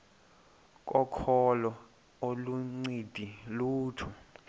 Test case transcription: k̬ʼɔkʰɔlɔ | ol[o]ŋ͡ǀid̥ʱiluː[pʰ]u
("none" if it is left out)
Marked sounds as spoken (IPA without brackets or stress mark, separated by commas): u, tʰ